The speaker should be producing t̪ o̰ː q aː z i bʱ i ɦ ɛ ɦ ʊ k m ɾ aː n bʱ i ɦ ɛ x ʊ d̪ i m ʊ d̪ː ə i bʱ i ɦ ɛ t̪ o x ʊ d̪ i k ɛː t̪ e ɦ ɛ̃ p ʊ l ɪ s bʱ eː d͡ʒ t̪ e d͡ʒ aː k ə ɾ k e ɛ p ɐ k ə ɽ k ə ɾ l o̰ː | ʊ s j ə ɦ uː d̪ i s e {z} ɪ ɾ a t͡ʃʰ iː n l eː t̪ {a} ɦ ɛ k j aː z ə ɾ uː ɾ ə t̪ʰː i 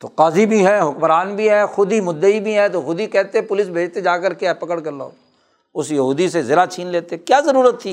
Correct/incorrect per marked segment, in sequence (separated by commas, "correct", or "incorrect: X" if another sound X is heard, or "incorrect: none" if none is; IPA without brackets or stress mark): correct, incorrect: e